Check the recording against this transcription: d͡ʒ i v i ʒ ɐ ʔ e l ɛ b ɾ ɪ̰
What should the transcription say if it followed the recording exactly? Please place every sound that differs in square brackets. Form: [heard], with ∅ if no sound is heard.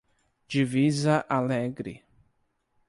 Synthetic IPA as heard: d͡ʒ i v i [z] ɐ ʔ [a] l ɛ [ɡ] ɾ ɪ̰